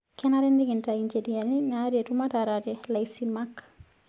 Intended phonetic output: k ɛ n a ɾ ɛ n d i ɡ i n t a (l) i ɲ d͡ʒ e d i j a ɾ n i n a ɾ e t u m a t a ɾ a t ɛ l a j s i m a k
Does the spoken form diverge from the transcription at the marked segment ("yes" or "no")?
yes